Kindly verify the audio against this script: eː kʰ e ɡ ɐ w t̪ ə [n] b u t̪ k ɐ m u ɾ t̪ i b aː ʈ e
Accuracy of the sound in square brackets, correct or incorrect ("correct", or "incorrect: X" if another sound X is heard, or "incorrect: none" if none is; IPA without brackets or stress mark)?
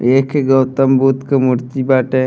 incorrect: m